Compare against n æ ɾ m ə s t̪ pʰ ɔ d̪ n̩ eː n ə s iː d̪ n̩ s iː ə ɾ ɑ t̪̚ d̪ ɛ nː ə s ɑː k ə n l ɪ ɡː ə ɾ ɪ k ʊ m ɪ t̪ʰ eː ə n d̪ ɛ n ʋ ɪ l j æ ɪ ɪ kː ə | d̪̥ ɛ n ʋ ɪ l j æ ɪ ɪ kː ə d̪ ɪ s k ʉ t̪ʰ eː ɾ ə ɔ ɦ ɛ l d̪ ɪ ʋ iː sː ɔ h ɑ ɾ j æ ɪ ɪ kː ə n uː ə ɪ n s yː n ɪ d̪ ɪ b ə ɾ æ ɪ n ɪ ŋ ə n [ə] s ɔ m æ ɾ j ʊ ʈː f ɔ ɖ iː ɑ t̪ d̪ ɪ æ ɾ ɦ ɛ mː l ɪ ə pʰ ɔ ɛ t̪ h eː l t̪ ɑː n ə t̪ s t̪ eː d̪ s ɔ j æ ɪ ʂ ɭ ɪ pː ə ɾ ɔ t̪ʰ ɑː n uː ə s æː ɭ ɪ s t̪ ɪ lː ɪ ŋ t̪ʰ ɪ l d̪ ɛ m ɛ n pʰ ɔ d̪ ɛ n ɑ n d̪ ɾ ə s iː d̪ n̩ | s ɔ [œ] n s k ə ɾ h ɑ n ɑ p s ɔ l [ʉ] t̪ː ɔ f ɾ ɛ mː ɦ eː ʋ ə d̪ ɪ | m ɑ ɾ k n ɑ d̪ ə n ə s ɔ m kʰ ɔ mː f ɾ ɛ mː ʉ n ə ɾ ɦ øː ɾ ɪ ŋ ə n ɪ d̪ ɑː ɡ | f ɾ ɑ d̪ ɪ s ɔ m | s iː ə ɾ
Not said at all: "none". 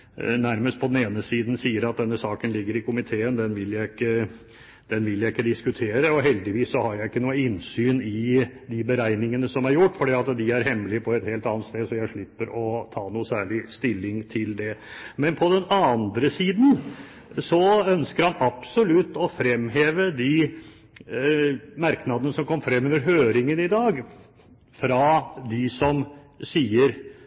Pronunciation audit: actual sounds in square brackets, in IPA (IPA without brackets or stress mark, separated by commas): ə, œ, ʉ